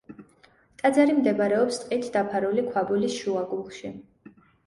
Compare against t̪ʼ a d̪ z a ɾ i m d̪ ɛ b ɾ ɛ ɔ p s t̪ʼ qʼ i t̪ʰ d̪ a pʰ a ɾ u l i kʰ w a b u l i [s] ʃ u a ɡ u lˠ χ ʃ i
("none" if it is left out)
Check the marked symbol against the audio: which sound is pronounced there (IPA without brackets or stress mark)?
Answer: s